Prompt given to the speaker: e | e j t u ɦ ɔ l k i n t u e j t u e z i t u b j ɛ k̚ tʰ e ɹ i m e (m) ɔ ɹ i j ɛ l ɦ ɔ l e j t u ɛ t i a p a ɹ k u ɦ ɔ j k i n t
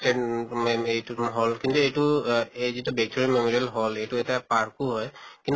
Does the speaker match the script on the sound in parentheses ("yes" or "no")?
yes